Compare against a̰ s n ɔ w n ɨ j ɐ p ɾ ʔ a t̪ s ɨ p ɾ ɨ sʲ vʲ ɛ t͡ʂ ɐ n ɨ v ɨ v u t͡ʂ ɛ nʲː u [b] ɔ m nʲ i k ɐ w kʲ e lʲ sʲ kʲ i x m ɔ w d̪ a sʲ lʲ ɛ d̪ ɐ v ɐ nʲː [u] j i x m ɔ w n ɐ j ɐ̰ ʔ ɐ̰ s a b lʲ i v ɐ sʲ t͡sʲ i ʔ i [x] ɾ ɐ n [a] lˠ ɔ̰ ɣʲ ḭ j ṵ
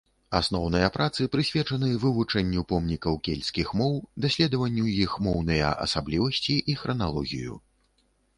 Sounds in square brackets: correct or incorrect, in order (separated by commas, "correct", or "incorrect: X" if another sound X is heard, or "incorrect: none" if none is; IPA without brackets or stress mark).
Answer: incorrect: p, correct, correct, correct